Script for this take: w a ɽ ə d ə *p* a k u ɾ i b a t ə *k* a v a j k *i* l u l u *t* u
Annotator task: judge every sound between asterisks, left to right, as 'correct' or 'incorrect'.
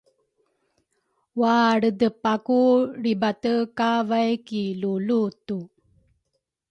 correct, correct, correct, correct

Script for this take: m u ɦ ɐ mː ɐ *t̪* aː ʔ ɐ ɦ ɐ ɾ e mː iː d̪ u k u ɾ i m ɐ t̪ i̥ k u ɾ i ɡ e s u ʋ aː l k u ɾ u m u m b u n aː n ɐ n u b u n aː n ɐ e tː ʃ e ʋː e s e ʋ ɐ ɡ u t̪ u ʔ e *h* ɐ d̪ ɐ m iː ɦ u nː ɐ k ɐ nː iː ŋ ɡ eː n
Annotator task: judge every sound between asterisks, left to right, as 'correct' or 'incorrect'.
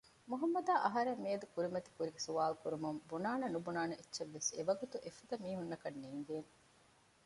incorrect, incorrect

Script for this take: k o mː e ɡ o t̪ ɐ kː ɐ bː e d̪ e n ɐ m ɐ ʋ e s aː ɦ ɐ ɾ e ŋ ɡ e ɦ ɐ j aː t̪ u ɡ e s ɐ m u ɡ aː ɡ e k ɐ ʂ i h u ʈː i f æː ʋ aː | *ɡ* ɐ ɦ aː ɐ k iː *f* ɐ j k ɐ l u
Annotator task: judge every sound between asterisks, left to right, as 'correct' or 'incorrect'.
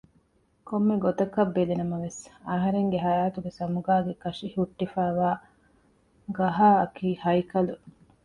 correct, incorrect

